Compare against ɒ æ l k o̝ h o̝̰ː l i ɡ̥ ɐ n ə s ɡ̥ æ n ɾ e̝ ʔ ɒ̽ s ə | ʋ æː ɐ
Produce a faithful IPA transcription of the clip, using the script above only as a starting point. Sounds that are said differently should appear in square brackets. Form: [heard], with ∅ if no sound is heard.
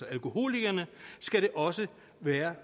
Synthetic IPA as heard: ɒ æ l k o̝ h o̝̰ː l i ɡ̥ ɐ n ə s ɡ̥ æ [∅] ɾ e̝ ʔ ɒ̽ s ə | ʋ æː ɐ